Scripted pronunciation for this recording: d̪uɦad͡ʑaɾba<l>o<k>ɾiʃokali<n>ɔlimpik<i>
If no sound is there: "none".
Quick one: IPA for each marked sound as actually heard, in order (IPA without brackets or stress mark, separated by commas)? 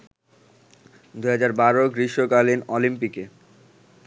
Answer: ɾ, ɡ, n, e